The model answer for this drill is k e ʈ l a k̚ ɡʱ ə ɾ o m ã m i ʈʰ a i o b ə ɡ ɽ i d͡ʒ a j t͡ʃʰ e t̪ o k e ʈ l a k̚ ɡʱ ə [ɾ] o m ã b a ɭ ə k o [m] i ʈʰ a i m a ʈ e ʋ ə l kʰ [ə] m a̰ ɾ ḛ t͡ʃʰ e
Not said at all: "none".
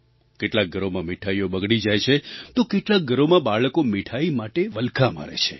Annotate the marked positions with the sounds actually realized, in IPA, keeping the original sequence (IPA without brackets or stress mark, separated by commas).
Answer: ɾ, m, a